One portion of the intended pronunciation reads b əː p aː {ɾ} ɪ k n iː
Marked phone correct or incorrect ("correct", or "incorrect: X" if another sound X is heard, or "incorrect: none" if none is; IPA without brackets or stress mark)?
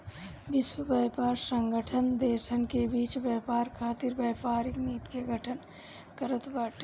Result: correct